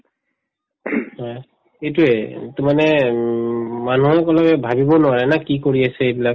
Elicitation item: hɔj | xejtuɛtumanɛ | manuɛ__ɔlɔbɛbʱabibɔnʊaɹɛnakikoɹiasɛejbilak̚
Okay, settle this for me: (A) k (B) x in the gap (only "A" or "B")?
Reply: A